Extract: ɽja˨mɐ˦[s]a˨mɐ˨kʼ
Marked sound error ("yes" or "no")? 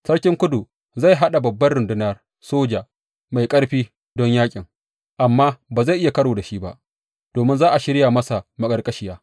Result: no